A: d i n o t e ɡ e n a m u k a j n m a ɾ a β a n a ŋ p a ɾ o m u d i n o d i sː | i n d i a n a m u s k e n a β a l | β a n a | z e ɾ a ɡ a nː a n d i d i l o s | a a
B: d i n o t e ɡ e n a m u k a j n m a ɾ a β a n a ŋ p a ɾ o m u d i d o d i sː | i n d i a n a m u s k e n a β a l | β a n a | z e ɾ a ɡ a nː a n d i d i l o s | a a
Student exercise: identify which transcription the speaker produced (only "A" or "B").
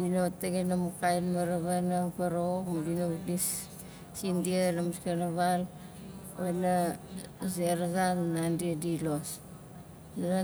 A